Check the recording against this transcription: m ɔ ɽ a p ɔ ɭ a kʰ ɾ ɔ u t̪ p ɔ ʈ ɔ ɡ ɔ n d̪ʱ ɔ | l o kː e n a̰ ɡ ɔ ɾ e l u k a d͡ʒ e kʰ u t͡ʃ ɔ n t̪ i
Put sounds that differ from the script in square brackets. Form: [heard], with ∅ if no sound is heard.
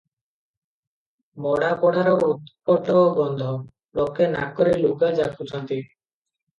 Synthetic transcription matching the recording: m ɔ ɽ a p ɔ [ɽ] a [∅] ɾ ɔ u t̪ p ɔ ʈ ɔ ɡ ɔ n d̪ʱ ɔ | l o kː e n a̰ [k] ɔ ɾ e l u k a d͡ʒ [a] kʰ u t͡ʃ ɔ n t̪ i